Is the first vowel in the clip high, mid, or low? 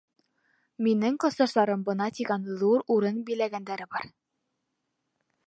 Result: high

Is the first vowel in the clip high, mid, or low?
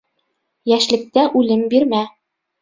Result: low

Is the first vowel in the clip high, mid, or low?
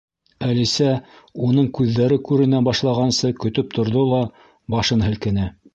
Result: low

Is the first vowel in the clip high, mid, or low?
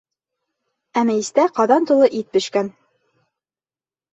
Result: low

